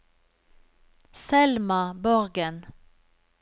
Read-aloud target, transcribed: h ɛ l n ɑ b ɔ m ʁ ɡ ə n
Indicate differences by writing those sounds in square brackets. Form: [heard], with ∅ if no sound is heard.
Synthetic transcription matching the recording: [s] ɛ l [m] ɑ b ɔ [∅] ʁ ɡ ə n